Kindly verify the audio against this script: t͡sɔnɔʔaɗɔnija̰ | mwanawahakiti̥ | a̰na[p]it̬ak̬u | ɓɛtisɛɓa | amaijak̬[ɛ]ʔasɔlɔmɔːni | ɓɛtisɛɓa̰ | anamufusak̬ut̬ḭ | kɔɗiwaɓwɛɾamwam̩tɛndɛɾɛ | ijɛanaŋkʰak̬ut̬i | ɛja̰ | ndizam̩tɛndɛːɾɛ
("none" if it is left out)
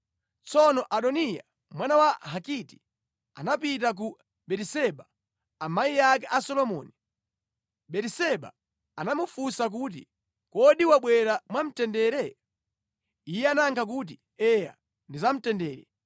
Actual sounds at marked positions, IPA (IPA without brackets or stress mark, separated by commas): p, ɛ